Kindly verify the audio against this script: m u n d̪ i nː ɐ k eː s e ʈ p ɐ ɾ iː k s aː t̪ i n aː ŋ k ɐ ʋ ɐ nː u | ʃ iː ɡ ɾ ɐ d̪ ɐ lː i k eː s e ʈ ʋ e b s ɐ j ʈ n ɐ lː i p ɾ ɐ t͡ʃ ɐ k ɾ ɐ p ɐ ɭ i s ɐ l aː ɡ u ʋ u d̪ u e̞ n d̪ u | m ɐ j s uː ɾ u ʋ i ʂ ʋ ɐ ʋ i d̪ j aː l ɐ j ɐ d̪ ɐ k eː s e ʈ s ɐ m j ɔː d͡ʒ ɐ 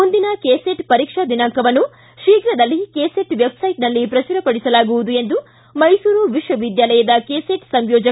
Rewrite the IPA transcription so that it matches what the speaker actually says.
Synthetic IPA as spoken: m u n d̪ i n ɐ k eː s e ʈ p ɐ ɾ iː k ʂ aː d̪ i n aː ŋ k ɐ ʋ ɐ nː u | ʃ iː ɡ ɾ ɐ d̪ ɐ lː i k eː s e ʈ ʋ e b s ɐ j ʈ n ɐ lː i p ɾ ɐ t͡ʃ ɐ ɾ ɐ p ɐ ɽ i s ɐ l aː ɡ u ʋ u d̪ u e̞ n d̪ u | m ɐ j s uː ɾ u ʋ i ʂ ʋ ɐ ʋ i d̪ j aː l ɐ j ɐ d̪ ɐ k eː s e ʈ s ɐ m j ɔː d͡ʒ ɐ